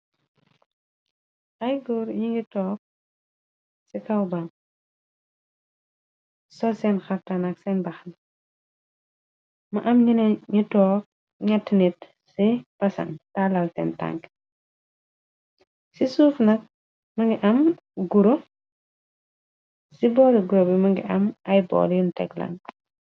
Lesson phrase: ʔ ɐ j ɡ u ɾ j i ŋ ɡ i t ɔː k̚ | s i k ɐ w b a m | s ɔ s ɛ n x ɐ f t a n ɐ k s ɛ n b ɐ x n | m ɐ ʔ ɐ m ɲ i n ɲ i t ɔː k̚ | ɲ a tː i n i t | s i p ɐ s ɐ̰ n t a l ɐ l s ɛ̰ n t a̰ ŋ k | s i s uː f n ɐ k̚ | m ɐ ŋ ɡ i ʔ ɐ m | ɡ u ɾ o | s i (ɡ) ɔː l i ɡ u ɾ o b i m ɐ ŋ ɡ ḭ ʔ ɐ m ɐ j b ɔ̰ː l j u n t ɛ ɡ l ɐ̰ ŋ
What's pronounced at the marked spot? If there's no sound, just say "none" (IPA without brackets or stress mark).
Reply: b